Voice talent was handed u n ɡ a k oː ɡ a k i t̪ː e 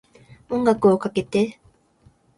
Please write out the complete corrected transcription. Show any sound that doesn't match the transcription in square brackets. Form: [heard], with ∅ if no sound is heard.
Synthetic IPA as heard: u [ŋ] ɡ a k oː [k] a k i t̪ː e